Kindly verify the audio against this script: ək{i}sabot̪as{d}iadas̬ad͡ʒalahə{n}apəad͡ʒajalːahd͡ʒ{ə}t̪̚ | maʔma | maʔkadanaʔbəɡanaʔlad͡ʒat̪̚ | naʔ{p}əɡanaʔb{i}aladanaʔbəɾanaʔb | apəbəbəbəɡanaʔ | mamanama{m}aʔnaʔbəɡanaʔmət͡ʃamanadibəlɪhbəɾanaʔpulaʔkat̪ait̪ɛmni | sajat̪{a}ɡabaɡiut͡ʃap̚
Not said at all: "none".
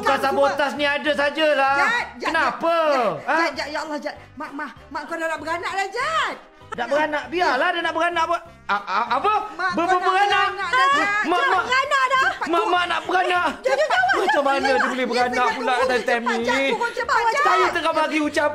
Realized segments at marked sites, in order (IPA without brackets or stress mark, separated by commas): a, n, n, a, b, i, m, ə